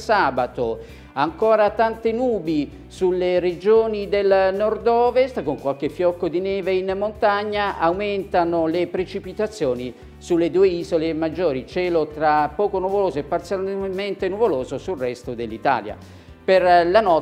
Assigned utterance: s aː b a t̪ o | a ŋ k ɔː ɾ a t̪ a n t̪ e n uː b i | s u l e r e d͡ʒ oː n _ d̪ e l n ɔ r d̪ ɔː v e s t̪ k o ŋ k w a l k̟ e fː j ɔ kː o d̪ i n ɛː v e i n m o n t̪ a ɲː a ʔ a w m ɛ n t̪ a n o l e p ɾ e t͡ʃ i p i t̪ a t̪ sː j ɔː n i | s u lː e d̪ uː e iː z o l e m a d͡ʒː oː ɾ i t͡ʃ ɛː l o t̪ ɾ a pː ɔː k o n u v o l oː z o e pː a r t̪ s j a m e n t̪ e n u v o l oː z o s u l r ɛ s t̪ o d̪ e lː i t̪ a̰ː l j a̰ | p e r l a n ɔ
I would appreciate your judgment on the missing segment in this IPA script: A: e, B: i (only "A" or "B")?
B